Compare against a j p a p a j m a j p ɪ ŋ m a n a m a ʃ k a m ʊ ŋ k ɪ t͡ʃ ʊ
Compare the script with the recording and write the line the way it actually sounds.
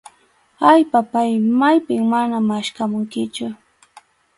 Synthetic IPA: a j p a p a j m a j p ɪ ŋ m a n a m a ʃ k a m ʊ ŋ k ɪ t͡ʃ ʊ